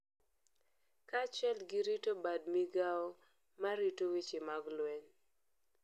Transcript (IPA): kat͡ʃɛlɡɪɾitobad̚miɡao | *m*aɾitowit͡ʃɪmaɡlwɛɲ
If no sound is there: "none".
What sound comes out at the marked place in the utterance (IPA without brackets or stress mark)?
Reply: m